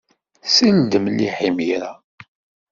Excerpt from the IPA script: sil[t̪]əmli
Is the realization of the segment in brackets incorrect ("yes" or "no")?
yes